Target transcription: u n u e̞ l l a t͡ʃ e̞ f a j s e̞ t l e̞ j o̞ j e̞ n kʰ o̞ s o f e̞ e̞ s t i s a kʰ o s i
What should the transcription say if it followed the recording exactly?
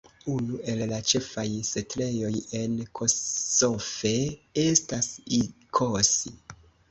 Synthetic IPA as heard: u n u e̞ l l a t͡ʃ e̞ f a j s e̞ t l e̞ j o̞ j e̞ n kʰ o̞ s o f e̞ e̞ s t a s i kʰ o s i